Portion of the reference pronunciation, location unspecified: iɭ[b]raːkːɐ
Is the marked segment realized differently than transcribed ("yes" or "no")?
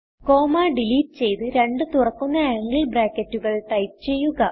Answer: no